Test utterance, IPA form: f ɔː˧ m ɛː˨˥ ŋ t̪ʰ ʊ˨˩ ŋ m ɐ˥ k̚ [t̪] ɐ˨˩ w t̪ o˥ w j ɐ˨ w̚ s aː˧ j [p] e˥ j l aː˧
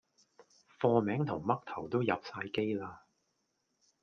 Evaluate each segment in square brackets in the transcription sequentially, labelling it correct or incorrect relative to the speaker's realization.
incorrect: t̪ʰ, incorrect: k

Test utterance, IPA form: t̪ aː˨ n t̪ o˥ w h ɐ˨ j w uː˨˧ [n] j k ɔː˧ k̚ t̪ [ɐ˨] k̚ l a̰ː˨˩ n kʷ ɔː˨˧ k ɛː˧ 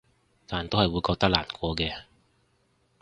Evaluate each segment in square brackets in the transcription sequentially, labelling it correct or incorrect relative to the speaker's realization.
incorrect: none, incorrect: ɐ˥

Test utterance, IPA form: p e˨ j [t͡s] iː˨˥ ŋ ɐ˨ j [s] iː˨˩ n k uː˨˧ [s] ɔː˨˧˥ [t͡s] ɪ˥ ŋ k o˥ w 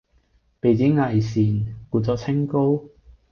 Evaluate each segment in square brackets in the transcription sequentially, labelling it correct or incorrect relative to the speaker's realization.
correct, correct, incorrect: t͡s, incorrect: t͡sʰ

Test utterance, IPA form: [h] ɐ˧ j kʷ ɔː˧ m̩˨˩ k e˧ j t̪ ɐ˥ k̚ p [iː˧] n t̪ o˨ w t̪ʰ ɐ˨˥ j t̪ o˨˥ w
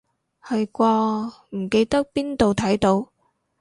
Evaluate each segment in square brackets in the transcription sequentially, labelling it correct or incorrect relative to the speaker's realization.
correct, incorrect: iː˥

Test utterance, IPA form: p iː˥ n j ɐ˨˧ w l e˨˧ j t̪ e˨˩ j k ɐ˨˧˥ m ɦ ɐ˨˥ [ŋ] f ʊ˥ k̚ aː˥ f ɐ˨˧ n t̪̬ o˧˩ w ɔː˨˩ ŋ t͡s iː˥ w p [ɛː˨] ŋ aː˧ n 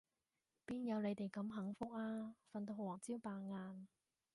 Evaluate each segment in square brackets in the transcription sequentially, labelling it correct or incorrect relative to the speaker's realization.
correct, incorrect: aː˨

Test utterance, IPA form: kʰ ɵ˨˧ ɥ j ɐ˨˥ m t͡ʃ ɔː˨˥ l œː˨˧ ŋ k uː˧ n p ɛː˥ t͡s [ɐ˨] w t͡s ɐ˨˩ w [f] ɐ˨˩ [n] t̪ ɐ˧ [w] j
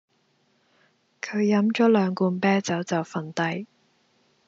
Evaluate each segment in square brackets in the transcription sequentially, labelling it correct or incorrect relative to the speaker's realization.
incorrect: ɐ˨˥, correct, correct, incorrect: none

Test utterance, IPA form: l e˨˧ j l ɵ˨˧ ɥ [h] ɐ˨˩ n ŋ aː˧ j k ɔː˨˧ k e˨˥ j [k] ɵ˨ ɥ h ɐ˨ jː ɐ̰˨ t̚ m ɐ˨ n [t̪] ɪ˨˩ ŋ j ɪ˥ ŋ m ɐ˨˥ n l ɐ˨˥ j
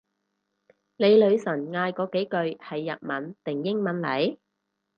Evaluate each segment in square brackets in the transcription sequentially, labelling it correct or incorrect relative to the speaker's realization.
incorrect: s, correct, correct

